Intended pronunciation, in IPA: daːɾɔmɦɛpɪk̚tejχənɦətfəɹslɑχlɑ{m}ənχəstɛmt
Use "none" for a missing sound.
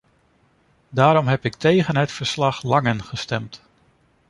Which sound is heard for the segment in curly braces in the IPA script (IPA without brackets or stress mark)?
ŋ